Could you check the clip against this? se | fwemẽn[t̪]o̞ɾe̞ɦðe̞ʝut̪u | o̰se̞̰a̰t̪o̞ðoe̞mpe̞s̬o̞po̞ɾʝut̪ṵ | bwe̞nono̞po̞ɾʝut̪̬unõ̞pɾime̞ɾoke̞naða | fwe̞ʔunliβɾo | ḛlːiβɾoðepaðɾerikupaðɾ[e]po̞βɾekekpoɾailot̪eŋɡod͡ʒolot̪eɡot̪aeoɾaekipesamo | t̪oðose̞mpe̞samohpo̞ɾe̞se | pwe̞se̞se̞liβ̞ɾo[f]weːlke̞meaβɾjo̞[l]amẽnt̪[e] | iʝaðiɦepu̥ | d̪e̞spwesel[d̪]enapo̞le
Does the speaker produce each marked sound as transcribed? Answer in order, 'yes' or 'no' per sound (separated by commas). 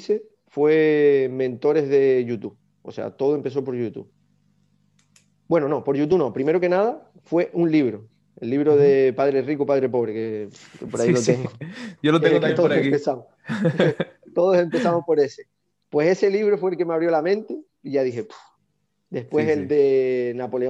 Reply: yes, yes, yes, yes, yes, yes